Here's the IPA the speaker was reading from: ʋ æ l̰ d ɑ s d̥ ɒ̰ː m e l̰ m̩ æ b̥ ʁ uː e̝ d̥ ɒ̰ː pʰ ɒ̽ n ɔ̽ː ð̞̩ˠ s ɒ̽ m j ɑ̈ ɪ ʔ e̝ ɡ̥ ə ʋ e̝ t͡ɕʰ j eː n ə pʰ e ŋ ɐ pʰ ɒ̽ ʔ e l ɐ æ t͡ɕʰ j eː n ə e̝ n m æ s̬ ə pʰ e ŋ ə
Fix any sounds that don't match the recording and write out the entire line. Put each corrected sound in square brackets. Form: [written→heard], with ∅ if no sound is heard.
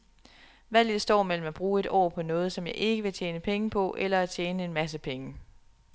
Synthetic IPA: ʋ æ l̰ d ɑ s d̥ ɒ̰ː m e l̰ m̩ æ b̥ ʁ uː e̝ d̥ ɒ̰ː pʰ ɒ̽ n ɔ̽ː ð̞̩ˠ s ɒ̽ m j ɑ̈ ɪ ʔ e̝ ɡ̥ ə ʋ e̝ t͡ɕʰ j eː n ə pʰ e ŋ [ɐ→ə] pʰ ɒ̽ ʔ e l ɐ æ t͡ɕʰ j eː n ə e̝ n m æ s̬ ə pʰ e ŋ ə